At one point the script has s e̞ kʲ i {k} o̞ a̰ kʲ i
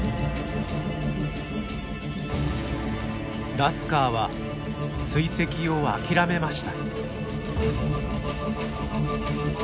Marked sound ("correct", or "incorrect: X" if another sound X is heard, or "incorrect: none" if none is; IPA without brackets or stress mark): incorrect: none